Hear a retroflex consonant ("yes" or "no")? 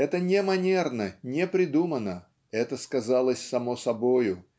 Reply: no